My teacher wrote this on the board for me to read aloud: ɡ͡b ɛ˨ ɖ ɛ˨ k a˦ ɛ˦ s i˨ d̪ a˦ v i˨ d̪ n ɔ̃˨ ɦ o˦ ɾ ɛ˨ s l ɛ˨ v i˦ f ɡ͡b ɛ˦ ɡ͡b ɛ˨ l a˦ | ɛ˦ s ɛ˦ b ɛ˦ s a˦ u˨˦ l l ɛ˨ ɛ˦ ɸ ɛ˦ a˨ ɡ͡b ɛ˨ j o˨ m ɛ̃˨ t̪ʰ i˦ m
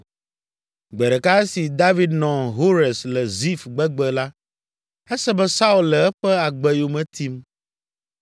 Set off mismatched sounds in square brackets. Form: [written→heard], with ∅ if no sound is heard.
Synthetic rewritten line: ɡ͡b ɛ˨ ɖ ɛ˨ k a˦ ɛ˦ s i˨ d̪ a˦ v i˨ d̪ n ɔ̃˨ ɦ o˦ ɾ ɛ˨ s l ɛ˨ [v→z] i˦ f ɡ͡b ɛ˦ ɡ͡b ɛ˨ l a˦ | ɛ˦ s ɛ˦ b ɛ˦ s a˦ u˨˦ l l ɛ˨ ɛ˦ ɸ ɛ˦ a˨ ɡ͡b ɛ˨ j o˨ m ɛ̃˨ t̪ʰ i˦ m